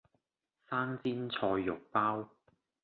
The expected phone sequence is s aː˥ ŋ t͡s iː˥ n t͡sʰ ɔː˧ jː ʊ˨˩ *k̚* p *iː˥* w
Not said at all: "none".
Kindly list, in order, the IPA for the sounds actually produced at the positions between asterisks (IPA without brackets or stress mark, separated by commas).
k̚, aː˥